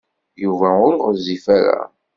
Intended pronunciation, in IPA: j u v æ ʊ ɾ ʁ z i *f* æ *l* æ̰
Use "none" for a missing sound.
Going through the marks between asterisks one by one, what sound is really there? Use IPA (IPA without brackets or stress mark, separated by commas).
f, ɾ